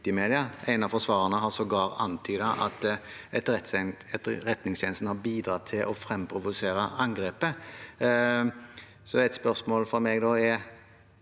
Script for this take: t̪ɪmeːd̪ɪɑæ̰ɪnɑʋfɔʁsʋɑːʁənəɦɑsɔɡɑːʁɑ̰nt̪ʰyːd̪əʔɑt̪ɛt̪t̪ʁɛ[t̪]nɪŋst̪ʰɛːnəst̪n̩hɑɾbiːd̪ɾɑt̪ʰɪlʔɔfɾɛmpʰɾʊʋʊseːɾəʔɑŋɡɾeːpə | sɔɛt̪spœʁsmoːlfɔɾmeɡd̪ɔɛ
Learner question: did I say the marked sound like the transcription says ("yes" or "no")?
yes